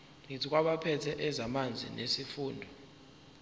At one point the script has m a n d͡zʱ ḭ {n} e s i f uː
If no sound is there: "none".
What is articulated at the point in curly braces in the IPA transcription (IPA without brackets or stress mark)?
n